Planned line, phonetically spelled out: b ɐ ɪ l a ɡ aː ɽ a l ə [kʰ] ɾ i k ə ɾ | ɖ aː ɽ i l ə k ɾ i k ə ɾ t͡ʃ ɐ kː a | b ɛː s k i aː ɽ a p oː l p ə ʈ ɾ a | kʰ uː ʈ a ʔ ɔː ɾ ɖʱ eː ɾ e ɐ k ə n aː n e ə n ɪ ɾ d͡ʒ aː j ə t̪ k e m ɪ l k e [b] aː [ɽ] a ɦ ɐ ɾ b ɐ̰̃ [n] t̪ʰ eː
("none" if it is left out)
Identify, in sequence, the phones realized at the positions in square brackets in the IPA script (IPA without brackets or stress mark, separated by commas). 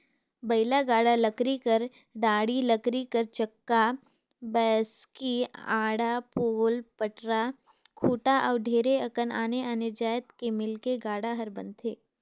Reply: k, ɡ, ɽ, n